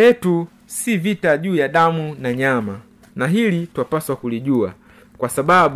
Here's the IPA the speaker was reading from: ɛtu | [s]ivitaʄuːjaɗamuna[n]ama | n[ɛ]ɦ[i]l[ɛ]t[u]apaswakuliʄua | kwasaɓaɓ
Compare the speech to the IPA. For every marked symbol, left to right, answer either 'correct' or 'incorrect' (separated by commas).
correct, incorrect, incorrect, correct, incorrect, incorrect